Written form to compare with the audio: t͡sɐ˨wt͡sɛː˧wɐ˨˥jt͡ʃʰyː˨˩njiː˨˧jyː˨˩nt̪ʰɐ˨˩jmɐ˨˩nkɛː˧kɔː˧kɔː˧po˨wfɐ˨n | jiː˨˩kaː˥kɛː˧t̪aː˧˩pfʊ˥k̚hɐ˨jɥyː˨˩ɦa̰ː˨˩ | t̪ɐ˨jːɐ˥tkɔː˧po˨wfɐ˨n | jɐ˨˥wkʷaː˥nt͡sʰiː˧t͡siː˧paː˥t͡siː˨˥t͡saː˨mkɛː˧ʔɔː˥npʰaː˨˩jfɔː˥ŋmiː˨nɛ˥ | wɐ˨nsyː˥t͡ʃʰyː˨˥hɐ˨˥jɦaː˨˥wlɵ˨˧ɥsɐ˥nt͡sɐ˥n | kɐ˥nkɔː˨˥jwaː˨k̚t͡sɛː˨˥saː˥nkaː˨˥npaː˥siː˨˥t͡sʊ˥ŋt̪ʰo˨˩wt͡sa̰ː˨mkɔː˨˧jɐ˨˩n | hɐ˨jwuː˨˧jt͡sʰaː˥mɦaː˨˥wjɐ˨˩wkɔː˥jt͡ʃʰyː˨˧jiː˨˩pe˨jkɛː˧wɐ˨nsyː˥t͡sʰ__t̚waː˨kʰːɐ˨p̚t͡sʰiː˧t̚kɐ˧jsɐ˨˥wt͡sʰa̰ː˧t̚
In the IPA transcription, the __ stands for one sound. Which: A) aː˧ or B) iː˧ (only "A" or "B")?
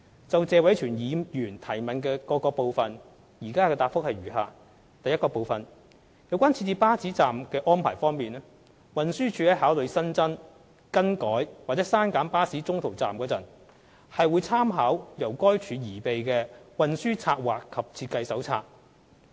A